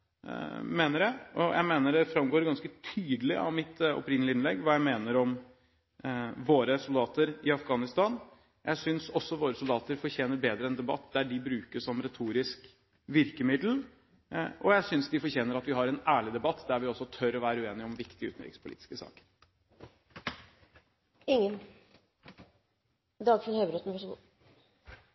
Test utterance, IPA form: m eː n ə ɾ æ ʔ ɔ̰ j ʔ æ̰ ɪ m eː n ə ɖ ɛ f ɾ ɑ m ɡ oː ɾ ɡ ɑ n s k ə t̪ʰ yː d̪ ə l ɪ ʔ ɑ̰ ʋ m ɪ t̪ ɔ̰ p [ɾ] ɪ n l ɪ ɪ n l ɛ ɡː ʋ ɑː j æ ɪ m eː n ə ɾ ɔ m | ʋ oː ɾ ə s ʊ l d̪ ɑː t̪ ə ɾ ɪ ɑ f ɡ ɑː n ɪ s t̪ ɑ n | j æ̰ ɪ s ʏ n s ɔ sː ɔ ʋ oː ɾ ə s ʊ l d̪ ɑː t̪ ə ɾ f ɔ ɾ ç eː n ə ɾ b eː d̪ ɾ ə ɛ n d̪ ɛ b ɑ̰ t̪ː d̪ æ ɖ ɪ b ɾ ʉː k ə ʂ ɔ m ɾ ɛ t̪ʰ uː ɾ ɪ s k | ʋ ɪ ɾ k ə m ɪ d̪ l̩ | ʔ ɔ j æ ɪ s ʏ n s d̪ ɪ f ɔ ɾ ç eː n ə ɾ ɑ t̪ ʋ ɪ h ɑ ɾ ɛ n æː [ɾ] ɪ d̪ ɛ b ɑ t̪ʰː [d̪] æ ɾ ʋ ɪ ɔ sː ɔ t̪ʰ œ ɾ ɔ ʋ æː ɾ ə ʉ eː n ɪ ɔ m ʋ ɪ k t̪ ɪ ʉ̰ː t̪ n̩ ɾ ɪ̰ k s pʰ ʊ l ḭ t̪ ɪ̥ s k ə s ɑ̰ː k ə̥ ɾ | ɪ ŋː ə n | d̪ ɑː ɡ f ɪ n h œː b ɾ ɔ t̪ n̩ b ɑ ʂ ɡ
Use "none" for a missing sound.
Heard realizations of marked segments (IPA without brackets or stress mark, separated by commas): ɾ, ɭ, d̪